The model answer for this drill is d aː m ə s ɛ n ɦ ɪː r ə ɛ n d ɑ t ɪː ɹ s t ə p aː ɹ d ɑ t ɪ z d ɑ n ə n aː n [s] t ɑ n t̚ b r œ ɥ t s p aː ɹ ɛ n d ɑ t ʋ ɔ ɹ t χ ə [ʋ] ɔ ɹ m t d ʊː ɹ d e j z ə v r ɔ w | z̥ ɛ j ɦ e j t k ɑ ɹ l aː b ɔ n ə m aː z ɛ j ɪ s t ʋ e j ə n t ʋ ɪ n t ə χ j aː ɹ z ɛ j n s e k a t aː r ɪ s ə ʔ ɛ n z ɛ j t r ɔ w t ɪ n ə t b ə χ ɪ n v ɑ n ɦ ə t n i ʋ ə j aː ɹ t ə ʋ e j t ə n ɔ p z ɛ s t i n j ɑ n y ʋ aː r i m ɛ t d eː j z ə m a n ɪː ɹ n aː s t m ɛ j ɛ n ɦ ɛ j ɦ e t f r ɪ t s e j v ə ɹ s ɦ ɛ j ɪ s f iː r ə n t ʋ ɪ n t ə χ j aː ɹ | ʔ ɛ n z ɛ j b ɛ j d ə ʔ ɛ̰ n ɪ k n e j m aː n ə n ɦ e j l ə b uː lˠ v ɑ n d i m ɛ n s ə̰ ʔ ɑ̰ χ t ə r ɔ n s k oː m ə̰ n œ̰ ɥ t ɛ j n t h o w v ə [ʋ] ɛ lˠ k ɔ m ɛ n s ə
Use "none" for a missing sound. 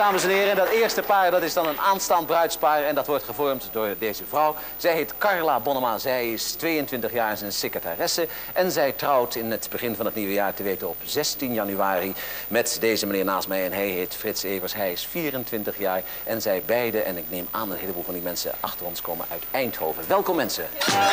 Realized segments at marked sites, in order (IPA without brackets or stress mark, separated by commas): s, v, ʋ